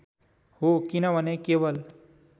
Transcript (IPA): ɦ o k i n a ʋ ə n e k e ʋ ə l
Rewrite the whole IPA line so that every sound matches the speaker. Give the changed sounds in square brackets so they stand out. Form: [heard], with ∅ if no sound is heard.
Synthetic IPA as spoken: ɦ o k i n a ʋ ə n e k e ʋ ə l

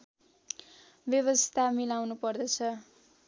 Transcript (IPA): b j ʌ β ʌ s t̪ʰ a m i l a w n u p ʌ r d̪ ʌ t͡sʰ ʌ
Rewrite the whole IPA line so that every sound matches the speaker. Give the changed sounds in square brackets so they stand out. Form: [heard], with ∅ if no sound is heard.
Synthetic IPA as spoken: b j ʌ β ʌ s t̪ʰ a m i l a w n u p ʌ r d̪ ʌ t͡sʰ ʌ

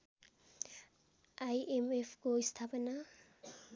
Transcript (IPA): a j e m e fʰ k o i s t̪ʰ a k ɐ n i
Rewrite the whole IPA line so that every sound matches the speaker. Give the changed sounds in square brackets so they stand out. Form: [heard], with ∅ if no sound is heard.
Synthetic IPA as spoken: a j e m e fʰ k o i s t̪ʰ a [p] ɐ n [a]

